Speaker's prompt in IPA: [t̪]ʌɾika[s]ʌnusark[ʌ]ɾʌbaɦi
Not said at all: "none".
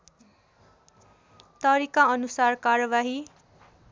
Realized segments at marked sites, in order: t̪, none, a

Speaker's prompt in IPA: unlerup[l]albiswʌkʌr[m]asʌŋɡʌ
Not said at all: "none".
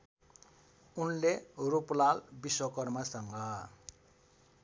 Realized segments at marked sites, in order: l, m

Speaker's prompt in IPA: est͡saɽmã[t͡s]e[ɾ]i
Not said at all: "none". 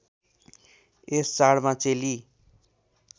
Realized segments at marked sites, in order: t͡s, l

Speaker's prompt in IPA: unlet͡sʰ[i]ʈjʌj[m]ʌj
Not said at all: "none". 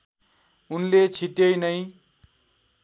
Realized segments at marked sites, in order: i, n

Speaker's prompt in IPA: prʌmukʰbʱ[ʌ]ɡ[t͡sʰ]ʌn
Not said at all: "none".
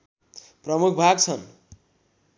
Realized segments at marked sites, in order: a, t͡sʰ

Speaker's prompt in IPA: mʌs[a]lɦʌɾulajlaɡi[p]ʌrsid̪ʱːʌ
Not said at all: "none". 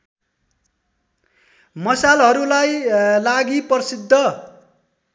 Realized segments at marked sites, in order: a, p

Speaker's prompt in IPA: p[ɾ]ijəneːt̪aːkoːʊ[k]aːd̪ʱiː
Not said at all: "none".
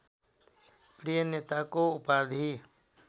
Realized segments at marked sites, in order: ɾ, p

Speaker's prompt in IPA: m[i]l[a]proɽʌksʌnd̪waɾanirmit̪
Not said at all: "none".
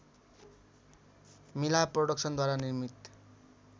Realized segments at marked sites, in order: i, a

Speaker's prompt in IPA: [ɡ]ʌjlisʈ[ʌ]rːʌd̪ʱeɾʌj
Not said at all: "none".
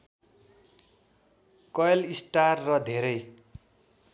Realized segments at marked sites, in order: k, a

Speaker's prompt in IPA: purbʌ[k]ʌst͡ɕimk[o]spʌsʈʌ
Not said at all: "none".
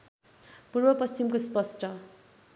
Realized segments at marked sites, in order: p, o

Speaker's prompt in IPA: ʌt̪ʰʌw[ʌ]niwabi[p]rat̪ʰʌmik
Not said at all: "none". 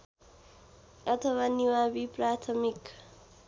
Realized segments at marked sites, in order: a, p

